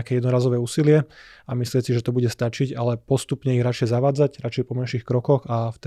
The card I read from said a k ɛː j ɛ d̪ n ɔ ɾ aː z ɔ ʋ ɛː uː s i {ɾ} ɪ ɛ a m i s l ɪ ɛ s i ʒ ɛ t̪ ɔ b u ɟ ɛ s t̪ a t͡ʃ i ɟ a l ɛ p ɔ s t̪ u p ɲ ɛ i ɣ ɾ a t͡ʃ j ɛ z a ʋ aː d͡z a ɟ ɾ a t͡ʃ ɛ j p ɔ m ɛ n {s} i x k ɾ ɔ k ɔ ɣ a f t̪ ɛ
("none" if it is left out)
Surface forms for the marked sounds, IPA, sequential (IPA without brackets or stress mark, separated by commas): l, ʃ